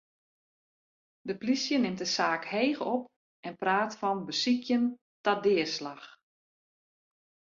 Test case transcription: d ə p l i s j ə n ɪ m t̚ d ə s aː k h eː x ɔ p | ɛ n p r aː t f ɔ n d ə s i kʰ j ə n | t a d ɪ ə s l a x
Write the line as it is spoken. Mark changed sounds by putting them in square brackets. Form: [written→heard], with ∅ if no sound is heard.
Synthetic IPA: d ə p l i s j ə n ɪ m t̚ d ə s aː k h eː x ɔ p | ɛ n p r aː t f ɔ n [d→b] ə s i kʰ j ə n | t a d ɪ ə s l a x